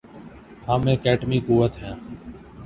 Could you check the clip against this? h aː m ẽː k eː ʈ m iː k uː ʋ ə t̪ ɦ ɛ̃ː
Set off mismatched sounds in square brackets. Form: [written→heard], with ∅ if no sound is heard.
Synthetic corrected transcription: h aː m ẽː k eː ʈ m iː k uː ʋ ə t̪ ɦ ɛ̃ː